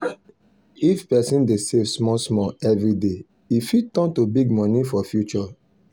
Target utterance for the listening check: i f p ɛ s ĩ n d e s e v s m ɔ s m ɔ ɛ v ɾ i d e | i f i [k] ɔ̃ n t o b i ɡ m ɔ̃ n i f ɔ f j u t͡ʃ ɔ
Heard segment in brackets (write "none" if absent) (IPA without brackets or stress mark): t